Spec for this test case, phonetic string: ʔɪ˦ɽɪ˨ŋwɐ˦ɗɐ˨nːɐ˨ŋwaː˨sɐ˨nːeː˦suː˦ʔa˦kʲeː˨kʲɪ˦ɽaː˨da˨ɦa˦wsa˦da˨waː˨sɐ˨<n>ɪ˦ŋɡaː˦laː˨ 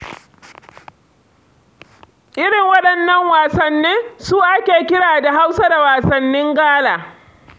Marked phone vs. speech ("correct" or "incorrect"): incorrect